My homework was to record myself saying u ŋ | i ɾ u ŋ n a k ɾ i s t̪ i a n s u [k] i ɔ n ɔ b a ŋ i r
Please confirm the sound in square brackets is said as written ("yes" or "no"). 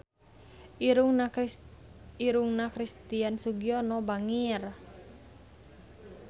no